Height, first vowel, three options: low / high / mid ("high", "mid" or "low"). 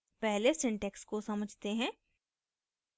mid